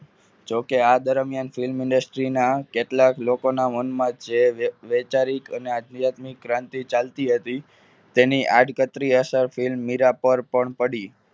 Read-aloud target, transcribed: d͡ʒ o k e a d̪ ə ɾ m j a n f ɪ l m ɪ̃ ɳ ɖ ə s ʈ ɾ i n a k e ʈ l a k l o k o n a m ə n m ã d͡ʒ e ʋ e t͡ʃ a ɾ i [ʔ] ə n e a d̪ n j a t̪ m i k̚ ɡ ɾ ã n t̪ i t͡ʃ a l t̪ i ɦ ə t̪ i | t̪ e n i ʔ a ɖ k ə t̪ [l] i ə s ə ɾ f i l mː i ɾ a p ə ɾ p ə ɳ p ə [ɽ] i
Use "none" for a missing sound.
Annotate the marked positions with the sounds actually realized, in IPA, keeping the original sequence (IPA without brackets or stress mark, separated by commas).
k, ɾ, ɽ